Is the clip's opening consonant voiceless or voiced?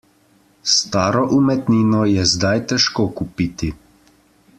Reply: voiceless